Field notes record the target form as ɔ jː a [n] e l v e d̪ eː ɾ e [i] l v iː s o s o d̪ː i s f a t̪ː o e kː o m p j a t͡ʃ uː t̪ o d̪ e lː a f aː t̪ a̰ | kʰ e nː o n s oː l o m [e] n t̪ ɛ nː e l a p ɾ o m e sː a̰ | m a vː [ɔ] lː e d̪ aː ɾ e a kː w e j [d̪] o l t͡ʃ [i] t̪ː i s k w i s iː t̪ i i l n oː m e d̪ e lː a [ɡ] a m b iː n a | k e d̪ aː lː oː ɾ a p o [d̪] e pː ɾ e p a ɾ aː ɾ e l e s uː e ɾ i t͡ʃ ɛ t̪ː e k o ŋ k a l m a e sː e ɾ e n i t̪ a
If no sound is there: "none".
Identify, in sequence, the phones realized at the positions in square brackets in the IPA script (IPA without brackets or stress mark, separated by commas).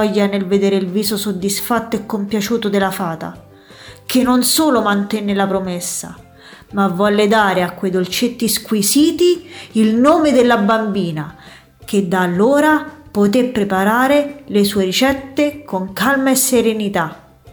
n, i, a, ɔ, d̪, e, b, t̪